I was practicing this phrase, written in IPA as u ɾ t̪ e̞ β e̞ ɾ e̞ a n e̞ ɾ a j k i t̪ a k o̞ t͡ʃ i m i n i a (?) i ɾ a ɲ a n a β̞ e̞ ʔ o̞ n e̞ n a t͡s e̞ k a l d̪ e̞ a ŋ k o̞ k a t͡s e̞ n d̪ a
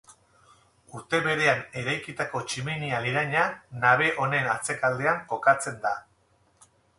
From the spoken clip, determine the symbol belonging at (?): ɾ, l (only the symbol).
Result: l